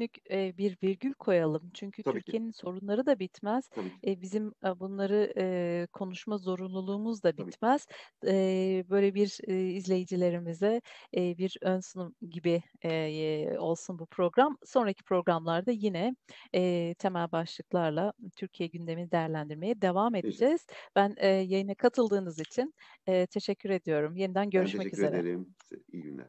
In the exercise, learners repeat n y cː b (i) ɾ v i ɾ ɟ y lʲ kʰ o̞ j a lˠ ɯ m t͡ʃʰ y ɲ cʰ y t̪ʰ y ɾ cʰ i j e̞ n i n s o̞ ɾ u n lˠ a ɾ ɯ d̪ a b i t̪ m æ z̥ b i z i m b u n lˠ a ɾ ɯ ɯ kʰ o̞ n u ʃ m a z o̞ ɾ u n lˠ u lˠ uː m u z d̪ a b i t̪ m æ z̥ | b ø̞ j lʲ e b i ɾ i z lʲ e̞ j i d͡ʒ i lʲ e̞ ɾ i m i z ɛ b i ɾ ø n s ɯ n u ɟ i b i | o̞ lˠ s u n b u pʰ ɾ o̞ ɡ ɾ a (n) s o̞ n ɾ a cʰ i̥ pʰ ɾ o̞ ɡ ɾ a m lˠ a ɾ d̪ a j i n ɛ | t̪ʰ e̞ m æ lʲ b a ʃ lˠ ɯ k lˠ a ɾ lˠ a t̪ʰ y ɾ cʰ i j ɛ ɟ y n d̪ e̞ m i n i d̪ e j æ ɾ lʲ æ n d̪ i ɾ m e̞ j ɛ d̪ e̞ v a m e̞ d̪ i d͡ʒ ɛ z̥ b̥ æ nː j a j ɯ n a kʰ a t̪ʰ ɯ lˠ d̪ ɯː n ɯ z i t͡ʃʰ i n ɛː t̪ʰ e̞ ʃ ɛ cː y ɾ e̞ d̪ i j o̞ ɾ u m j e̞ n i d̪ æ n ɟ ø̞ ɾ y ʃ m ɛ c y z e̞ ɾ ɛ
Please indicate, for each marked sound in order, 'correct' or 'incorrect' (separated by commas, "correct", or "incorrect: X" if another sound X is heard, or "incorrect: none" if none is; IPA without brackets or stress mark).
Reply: correct, incorrect: m